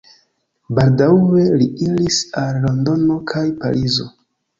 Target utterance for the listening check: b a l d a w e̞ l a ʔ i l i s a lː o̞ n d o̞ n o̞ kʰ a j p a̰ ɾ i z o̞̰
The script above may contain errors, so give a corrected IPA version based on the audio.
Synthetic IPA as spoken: b a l d a w e̞ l i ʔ i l i s a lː o̞ n d o̞ n o̞ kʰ a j p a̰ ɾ i z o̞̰